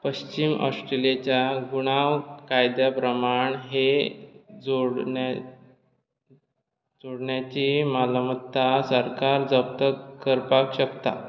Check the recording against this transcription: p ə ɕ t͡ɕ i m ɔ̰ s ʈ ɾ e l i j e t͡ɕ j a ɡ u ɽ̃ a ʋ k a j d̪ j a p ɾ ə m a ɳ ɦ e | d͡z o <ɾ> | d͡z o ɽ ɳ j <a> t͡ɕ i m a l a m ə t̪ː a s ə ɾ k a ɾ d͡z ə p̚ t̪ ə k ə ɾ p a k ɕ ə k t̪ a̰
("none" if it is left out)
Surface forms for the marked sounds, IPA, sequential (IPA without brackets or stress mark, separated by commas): ɽ, a